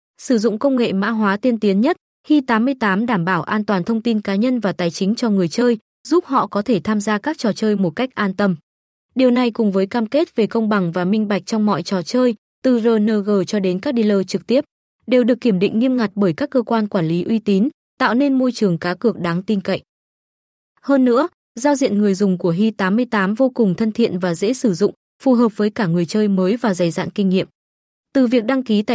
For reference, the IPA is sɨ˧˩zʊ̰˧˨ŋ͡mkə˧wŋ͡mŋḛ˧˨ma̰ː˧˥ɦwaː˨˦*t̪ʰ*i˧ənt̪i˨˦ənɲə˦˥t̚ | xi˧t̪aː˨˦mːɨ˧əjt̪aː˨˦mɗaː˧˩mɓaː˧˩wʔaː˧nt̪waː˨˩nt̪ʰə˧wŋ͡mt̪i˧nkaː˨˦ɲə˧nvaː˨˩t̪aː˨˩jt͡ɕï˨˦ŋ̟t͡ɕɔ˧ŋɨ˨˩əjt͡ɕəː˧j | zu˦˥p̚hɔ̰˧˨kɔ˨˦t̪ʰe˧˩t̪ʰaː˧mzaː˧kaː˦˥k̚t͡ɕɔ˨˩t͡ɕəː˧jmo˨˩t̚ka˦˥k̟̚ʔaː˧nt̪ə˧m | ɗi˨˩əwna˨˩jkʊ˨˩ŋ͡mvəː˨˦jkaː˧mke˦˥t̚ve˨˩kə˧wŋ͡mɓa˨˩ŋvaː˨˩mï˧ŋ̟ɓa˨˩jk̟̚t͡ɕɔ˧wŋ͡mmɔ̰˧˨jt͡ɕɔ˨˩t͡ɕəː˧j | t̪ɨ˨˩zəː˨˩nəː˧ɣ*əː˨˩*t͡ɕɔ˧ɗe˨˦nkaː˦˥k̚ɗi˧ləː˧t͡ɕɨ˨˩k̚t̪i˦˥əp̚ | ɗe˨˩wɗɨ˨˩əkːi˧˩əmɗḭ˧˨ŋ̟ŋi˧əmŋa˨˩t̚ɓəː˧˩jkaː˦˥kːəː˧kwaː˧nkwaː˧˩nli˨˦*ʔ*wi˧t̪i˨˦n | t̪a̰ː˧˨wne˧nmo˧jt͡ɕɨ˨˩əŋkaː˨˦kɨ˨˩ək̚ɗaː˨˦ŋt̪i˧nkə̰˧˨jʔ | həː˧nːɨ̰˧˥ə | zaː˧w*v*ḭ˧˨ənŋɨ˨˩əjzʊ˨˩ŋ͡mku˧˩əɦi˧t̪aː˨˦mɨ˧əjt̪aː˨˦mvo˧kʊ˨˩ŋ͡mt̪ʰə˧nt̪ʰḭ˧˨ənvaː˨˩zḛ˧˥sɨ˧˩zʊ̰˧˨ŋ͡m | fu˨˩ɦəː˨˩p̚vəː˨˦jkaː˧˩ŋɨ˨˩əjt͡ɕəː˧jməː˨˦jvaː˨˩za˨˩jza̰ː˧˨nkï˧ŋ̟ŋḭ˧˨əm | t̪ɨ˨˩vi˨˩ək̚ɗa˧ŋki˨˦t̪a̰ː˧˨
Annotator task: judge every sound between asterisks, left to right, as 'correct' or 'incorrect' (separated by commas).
incorrect, correct, correct, incorrect